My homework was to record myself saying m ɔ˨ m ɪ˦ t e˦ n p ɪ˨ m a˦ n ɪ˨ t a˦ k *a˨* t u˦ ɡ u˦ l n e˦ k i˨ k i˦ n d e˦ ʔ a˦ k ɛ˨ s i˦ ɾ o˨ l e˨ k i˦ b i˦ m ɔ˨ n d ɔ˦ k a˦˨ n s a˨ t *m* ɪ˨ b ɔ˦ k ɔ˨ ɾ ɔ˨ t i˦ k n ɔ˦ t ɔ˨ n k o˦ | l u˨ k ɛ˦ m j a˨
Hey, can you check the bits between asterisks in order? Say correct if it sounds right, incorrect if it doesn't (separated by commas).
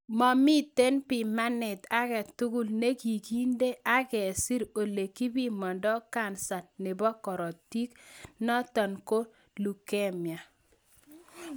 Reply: incorrect, incorrect